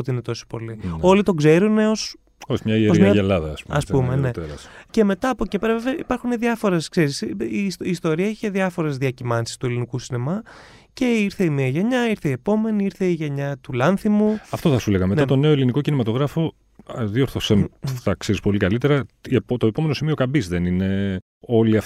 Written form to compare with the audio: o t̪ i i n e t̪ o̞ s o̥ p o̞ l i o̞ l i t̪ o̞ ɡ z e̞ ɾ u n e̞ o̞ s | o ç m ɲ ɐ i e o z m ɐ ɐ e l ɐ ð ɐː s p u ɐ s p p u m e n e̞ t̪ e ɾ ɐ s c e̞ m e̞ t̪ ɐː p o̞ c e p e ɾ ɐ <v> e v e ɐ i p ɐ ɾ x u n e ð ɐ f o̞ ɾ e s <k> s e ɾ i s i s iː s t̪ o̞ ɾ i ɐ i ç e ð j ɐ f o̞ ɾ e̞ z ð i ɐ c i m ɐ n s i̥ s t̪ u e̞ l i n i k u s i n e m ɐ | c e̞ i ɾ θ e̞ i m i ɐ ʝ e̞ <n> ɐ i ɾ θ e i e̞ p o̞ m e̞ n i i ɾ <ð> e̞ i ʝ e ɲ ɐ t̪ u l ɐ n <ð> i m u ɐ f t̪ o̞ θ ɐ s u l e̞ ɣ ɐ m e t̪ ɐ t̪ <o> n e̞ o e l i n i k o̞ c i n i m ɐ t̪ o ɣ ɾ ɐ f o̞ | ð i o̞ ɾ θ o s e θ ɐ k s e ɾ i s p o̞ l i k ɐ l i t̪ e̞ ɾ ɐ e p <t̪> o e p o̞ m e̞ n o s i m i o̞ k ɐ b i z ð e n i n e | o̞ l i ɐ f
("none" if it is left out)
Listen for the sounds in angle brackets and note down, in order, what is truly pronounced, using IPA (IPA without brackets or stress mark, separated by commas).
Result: v, k, ɲ, θ, θ, o, t̪